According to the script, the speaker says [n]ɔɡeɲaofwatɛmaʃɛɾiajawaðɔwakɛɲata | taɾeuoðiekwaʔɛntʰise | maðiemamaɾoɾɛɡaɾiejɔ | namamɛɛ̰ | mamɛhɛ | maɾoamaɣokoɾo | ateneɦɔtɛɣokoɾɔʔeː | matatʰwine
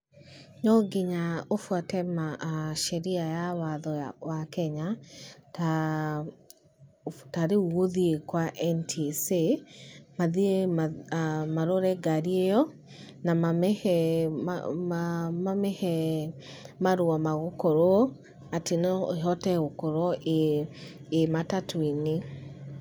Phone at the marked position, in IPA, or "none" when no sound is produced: ɲ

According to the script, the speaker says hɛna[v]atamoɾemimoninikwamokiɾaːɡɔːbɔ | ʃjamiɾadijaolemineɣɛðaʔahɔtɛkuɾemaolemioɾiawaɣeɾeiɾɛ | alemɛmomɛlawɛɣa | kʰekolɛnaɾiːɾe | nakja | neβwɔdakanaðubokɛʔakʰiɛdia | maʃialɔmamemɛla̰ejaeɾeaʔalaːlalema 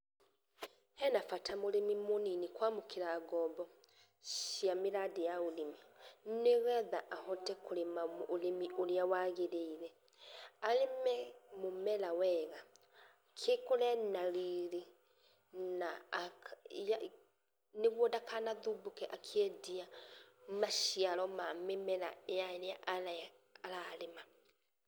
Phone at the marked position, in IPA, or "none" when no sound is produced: f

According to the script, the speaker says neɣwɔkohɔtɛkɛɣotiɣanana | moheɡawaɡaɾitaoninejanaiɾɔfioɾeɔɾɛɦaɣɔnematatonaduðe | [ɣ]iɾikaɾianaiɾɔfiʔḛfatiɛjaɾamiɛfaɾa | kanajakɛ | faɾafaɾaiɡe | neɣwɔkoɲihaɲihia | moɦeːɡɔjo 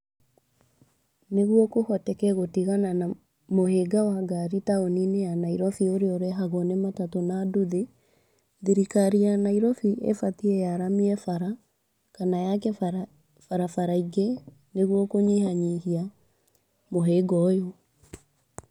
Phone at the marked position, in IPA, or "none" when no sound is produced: ð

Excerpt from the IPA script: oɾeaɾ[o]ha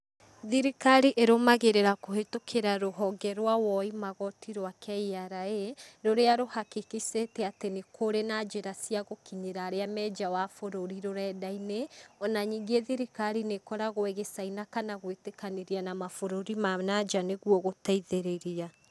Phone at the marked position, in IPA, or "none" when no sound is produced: o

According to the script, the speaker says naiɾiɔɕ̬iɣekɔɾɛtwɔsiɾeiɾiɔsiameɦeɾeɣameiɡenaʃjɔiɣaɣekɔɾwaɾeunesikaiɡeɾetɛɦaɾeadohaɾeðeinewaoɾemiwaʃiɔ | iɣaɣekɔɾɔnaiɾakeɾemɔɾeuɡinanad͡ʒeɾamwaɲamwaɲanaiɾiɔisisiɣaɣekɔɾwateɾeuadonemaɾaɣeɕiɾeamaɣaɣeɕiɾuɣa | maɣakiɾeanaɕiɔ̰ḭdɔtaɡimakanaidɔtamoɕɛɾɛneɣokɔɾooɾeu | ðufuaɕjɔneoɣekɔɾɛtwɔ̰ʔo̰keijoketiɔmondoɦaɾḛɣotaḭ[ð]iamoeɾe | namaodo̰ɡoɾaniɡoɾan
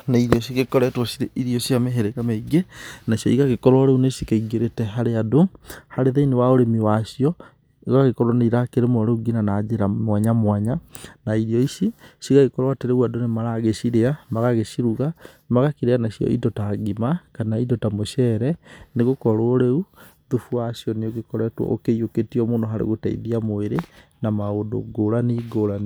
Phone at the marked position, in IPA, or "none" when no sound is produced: ð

